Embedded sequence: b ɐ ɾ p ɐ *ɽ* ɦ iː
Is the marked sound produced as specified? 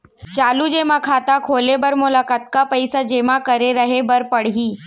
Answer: yes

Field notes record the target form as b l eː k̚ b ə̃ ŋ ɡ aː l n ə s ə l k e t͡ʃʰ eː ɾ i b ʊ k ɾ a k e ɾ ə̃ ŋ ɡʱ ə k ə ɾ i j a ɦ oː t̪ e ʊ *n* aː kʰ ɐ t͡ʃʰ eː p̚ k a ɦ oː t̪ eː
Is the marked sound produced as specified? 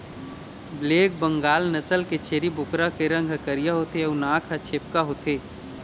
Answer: yes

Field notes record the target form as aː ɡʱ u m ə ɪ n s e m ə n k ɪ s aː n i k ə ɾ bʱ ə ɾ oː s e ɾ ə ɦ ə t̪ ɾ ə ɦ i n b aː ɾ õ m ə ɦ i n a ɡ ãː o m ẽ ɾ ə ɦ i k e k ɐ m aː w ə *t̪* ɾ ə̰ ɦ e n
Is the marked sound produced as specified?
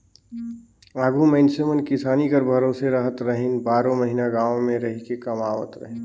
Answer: yes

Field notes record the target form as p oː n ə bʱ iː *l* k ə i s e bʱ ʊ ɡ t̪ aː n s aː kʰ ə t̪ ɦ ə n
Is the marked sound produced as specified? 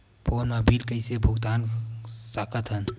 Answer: yes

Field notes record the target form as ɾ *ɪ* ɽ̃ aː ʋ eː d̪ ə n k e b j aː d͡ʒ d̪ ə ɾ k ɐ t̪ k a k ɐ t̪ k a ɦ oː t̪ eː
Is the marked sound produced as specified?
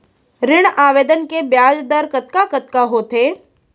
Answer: yes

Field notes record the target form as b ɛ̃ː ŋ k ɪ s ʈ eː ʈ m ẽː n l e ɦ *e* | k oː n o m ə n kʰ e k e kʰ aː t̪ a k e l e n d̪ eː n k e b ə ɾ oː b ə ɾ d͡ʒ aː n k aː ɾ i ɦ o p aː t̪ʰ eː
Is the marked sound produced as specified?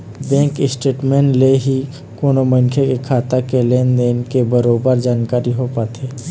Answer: no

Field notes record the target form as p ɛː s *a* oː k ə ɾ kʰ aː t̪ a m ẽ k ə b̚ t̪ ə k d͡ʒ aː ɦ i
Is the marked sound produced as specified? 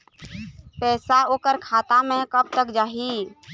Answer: yes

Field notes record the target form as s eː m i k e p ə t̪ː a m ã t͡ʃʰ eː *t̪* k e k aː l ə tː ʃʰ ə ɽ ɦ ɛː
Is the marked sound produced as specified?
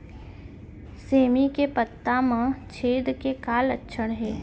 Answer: no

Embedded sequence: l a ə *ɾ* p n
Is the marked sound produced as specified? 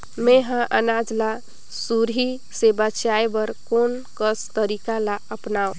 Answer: no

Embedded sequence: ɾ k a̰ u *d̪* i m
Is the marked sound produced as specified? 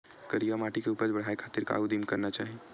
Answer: yes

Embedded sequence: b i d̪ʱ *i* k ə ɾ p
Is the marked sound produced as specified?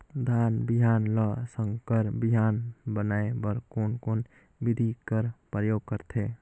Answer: yes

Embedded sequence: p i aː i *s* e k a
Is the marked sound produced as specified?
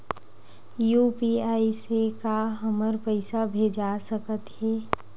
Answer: yes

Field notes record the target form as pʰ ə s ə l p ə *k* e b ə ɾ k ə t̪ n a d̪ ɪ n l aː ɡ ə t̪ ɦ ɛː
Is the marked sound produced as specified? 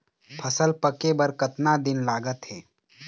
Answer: yes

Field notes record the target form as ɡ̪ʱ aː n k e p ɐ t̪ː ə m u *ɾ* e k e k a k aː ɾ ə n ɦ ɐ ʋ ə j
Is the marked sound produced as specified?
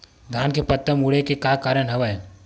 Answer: no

